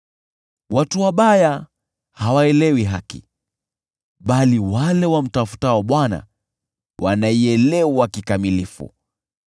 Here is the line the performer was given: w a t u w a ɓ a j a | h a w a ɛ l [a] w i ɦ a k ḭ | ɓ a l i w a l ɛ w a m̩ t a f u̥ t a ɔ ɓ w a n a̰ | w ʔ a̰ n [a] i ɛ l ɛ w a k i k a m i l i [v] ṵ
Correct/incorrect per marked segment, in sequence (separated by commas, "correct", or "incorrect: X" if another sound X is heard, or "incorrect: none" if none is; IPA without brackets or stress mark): incorrect: ɛ, correct, incorrect: f